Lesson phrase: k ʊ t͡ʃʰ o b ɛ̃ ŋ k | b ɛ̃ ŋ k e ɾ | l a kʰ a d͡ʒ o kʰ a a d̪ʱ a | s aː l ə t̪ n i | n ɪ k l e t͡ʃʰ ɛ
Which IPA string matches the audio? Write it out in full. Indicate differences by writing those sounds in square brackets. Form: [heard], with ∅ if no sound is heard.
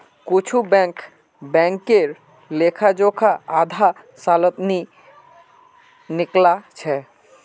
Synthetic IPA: k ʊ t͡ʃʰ [u] b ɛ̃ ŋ k | b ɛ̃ ŋ k e ɾ | l [e] kʰ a d͡ʒ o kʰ a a d̪ʱ a | s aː l ə t̪ n i | n ɪ k l [a] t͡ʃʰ ɛ